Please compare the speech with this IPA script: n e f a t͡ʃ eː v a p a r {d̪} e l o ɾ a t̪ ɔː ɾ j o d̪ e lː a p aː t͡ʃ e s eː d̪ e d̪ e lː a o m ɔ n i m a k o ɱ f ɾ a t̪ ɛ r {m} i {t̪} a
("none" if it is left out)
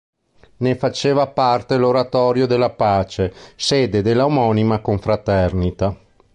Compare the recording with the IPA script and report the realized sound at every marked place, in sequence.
t̪, n, t̪

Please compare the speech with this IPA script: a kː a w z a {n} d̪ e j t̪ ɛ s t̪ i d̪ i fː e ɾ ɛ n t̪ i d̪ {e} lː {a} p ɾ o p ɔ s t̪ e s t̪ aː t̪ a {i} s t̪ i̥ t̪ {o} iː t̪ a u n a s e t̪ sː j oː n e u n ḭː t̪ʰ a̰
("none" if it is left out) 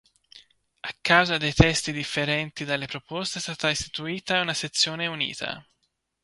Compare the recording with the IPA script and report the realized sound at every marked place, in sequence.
none, a, e, i, u

